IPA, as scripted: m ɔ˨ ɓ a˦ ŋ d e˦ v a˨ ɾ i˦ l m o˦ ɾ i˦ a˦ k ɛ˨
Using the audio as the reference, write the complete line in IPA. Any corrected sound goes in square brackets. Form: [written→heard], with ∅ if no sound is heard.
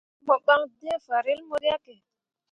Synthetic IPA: m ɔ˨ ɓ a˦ ŋ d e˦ [v→f] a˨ ɾ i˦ l m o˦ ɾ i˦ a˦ k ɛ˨